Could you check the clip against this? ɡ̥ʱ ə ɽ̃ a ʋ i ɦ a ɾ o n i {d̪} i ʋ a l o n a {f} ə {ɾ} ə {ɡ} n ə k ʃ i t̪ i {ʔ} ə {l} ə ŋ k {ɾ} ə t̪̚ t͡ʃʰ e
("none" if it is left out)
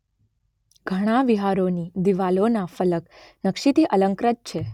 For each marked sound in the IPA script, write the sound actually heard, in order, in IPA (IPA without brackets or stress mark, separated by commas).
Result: d̪, f, l, k, ʔ, l, ɾ